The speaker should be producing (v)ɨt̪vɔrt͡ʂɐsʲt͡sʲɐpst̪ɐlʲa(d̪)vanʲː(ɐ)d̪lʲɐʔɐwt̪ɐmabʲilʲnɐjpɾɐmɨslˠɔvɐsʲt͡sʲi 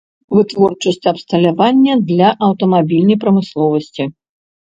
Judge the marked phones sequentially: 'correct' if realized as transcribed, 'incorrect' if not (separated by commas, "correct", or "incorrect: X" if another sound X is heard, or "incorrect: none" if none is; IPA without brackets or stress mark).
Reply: correct, incorrect: none, correct